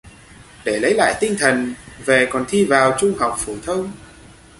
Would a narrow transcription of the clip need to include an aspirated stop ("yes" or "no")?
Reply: yes